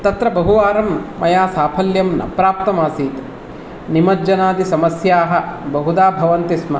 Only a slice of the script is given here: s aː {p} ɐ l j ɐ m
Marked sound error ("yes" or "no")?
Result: yes